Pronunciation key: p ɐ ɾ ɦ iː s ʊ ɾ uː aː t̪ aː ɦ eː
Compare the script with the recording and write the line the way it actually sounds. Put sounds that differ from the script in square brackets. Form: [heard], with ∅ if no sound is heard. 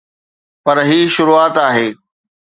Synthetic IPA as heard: p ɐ ɾ ɦ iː [ʃ] ʊ ɾ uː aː t̪ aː ɦ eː

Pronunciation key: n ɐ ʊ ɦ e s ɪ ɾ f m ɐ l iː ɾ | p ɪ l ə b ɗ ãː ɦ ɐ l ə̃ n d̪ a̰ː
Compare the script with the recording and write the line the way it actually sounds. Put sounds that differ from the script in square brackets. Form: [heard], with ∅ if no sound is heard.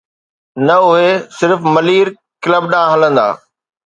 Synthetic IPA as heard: n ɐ ʊ ɦ e s ɪ ɾ f m ɐ l iː ɾ | [k] ɪ l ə b ɗ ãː ɦ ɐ l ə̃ n d̪ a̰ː

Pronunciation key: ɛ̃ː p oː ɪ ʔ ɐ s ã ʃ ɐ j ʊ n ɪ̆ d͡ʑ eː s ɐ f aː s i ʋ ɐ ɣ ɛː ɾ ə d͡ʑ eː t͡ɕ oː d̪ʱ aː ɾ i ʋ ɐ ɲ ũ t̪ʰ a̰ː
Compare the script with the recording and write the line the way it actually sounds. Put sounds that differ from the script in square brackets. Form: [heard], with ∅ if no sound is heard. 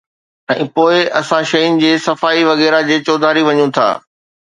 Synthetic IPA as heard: ɛ̃ː p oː ɪ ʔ ɐ s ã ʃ ɐ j ʊ n ɪ̆ d͡ʑ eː s ɐ f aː [∅] i ʋ ɐ ɣ ɛː ɾ [a] d͡ʑ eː t͡ɕ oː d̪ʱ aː ɾ i ʋ ɐ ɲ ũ t̪ʰ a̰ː

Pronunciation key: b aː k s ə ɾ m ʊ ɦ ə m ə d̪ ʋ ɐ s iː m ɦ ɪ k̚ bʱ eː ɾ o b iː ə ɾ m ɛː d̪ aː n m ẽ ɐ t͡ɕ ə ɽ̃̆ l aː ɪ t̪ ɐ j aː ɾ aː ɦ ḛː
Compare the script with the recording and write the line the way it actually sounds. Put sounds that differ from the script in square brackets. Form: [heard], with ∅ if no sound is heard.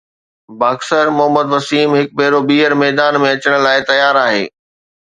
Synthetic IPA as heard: b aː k s ə ɾ m ʊ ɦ ə m ə d̪ ʋ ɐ s iː m ɦ ɪ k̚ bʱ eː ɾ o b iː ə ɾ m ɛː d̪ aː n m ẽ ɐ t͡ɕ ə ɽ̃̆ l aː ɪ t̪ ɐ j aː ɾ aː ɦ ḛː

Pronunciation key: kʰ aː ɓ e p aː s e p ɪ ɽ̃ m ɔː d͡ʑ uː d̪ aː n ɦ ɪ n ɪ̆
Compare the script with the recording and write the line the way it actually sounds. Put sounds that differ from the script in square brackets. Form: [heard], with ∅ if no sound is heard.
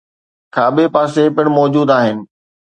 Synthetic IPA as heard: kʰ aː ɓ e p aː s e p ɪ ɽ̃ m ɔː d͡ʑ uː d̪ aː [∅] ɦ ɪ n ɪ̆

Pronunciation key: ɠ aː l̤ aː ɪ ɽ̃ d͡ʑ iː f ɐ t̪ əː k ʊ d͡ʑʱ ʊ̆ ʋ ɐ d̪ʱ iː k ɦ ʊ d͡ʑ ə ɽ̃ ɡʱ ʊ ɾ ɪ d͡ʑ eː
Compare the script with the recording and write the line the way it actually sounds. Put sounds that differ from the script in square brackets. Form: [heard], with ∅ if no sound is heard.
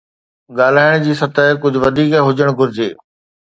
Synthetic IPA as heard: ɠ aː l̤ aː ɪ ɽ̃ d͡ʑ iː [s] ɐ t̪ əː k ʊ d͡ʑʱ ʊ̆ ʋ ɐ d̪ʱ iː k ɦ ʊ d͡ʑ ə ɽ̃ ɡʱ ʊ ɾ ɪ d͡ʑ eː

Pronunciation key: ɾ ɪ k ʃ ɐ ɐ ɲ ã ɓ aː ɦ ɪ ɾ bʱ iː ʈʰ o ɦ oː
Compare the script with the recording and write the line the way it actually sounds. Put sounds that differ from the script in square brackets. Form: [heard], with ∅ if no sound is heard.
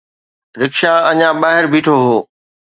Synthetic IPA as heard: ɾ ɪ k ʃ [a] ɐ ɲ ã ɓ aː ɦ ɪ ɾ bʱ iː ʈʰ o ɦ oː

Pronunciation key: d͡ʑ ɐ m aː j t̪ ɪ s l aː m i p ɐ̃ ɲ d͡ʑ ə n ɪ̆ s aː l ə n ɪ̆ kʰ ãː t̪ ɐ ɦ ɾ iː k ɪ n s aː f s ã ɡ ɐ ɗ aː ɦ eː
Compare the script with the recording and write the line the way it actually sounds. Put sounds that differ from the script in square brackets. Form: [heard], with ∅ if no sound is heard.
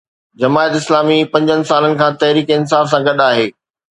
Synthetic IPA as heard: d͡ʑ ɐ m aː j t̪ ɪ s l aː m i p ɐ̃ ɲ d͡ʑ ə n ɪ̆ s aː l ə n ɪ̆ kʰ ãː t̪ ɐ ɦ ɾ iː k ɪ n s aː f s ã ɡ ɐ ɗ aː ɦ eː

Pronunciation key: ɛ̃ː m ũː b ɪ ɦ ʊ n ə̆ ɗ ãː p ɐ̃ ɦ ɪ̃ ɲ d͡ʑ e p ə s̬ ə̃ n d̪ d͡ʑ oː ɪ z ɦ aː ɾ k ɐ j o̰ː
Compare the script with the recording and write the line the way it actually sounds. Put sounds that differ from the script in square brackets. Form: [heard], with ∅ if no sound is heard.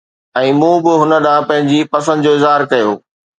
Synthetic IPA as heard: ɛ̃ː m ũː b ɪ ɦ ʊ n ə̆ ɗ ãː p ɐ̃ ɦ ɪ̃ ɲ d͡ʑ [i] p [ɐ] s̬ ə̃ n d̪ d͡ʑ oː ɪ z ɦ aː ɾ k ɐ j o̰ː

